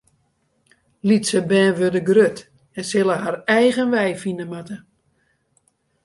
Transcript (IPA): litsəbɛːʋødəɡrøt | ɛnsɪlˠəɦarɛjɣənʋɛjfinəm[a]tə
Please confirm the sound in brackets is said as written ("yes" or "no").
yes